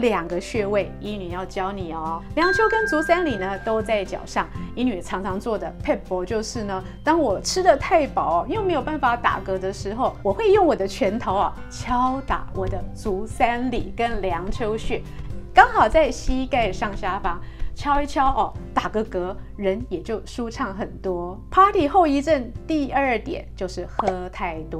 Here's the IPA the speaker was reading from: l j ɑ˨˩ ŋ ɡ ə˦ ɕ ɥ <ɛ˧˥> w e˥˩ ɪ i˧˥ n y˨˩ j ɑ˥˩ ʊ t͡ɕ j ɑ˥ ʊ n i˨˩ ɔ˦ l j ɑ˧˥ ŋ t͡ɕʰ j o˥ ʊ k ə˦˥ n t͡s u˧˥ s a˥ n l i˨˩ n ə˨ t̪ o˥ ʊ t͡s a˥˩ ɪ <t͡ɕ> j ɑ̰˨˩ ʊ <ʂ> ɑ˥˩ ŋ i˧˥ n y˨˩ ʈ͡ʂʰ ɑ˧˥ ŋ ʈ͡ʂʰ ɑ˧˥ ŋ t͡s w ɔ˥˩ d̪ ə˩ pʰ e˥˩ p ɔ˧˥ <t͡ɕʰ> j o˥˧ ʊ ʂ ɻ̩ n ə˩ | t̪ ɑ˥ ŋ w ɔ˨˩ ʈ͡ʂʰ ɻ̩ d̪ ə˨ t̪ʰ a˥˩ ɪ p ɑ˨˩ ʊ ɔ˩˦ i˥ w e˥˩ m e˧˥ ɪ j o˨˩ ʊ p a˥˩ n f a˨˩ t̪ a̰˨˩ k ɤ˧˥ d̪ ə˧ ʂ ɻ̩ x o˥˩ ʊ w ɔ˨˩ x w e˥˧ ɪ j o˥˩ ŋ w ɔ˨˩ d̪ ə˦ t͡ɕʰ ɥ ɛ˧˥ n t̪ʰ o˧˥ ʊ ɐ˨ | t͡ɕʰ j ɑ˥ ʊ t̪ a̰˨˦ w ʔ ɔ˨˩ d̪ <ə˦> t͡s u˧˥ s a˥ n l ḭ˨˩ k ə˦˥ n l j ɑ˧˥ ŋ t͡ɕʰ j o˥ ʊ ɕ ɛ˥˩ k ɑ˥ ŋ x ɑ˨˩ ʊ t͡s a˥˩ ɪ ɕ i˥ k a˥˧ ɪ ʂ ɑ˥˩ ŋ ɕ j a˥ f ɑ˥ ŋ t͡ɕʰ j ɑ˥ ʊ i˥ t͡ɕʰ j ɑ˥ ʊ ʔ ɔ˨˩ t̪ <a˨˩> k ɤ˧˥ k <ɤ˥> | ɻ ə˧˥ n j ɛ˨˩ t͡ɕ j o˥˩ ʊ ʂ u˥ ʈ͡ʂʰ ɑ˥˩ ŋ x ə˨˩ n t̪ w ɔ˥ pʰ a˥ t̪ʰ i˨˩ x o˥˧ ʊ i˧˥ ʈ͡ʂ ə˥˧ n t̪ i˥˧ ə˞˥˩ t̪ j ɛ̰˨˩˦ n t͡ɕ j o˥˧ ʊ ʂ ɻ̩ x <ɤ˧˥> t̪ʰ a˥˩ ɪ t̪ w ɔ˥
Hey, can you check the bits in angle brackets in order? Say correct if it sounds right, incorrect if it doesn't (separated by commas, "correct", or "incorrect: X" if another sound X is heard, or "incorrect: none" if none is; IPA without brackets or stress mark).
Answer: incorrect: ɛ˥˧, correct, correct, incorrect: t͡ɕ, correct, correct, incorrect: ɤ˧˥, incorrect: ɤ˥